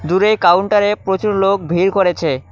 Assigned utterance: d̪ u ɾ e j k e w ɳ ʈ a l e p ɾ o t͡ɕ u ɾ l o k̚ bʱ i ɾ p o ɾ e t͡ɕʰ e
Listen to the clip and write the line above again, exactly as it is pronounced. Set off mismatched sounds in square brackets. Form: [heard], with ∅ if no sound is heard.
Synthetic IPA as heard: d̪ u ɾ e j k [a] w ɳ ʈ a [ɾ] e p ɾ o t͡ɕ u ɾ l o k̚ bʱ i ɾ [k] o ɾ e t͡ɕʰ e